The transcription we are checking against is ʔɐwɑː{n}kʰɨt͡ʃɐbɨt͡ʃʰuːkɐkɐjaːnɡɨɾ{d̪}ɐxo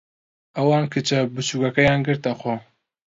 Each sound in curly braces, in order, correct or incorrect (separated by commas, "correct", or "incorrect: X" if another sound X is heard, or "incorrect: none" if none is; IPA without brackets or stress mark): correct, incorrect: t̪